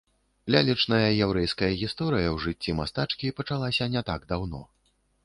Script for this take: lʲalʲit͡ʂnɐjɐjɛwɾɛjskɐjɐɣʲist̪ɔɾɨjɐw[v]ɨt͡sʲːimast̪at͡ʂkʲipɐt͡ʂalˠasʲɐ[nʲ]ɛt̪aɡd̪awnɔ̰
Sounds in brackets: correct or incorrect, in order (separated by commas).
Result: incorrect, correct